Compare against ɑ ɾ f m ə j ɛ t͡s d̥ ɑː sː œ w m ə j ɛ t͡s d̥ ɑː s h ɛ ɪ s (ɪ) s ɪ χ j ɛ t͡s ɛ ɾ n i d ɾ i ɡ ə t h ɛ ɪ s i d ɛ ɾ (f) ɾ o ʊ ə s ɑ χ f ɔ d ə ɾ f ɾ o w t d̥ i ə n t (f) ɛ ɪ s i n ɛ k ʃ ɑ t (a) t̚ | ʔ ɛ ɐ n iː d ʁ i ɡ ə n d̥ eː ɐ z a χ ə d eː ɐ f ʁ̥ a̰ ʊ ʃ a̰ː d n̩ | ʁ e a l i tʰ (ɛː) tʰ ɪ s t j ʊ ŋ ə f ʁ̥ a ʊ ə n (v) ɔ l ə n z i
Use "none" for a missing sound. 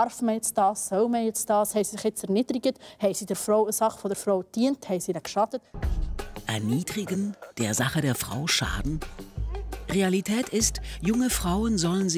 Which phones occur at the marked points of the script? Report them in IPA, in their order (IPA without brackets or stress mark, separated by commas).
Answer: i, f, h, ə, ɛː, z